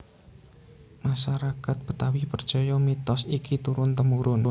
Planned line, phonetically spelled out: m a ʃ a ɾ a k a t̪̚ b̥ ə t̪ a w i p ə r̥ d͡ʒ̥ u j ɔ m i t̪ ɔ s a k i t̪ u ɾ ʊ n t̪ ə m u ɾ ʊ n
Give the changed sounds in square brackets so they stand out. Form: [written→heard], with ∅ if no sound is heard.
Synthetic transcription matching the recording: m a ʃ a ɾ a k a t̪̚ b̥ ə t̪ a w i p ə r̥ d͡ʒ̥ [u→ɔ] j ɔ m i t̪ ɔ s [a→i] k i t̪ u ɾ ʊ n t̪ ə m u ɾ ʊ n